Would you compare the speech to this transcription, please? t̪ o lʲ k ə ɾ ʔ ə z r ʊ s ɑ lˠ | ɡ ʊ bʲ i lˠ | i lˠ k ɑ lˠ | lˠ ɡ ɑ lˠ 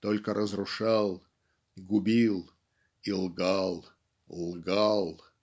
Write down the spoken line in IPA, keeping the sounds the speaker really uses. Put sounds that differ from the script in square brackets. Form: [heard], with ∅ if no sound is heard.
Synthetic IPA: t̪ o lʲ k ə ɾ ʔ ə z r ʊ [ʂ] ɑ lˠ | ɡ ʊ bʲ i lˠ | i lˠ [ɡ] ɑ lˠ | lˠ ɡ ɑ lˠ